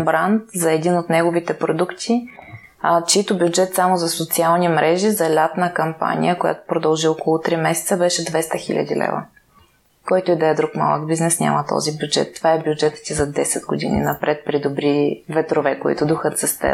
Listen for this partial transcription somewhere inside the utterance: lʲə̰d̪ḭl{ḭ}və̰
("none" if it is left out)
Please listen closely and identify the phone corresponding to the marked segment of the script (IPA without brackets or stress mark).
ɛ̰